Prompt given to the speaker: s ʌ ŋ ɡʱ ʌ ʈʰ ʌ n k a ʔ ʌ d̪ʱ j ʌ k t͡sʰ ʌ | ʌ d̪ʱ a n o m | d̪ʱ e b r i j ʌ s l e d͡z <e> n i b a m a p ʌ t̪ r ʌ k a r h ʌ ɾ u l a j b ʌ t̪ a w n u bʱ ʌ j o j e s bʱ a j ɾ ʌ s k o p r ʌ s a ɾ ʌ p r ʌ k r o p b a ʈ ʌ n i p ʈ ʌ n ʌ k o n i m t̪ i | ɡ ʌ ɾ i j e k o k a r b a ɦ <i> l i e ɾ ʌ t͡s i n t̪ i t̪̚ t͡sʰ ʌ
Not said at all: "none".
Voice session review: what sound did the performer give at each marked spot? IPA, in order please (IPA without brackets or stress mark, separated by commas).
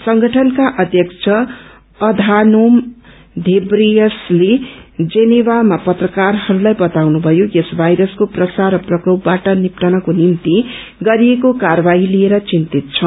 e, i